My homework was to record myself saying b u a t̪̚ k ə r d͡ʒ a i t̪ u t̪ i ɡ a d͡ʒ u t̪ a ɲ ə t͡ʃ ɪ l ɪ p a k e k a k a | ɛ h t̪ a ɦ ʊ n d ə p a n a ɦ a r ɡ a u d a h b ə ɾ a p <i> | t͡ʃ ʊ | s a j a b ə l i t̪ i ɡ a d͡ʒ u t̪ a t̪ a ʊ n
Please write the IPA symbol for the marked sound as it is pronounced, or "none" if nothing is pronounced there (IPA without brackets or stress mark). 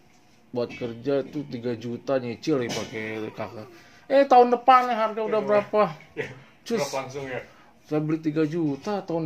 a